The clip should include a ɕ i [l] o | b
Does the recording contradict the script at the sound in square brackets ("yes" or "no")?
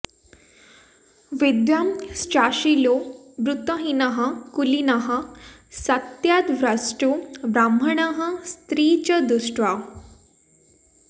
no